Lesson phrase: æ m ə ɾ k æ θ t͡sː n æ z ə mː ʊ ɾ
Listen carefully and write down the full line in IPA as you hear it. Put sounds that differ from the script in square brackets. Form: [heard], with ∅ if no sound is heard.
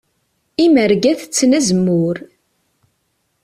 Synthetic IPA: [i] m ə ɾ [ɡ] æ θ t͡sː n æ z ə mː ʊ ɾ

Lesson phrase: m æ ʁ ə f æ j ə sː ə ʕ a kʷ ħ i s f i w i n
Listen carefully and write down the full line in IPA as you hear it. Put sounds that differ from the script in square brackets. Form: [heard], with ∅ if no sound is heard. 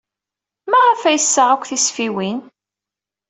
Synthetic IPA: m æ ʁ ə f æ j ə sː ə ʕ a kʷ [θ] i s f i w i n

